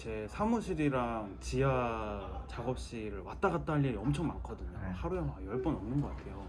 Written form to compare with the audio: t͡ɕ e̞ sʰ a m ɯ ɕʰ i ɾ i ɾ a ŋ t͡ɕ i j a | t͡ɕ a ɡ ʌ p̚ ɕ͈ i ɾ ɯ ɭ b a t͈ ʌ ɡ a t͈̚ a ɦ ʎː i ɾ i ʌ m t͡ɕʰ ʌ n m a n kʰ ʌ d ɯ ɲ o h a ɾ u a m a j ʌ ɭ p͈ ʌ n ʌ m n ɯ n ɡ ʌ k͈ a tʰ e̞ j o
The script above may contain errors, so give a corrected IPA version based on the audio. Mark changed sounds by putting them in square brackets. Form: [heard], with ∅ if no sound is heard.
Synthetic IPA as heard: t͡ɕ e̞ sʰ a m [u] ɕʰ i ɾ i ɾ a ŋ t͡ɕ i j a | t͡ɕ a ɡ ʌ p̚ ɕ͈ i ɾ ɯ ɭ [w] a t͈ [a] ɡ a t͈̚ a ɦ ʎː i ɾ i ʌ m t͡ɕʰ ʌ [ŋ] m a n kʰ ʌ d ɯ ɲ o h a ɾ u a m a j ʌ ɭ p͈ ʌ n ʌ m n ɯ n ɡ ʌ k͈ a tʰ e̞ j o